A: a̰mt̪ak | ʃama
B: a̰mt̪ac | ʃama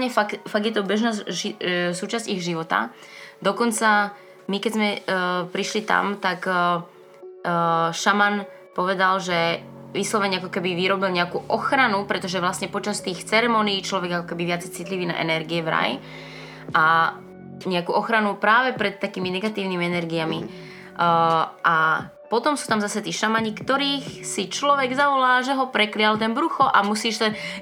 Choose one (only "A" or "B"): A